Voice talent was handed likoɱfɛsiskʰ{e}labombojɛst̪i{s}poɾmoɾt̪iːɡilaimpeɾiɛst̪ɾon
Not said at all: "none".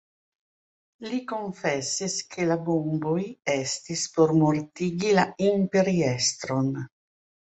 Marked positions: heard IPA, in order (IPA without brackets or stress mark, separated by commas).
e, s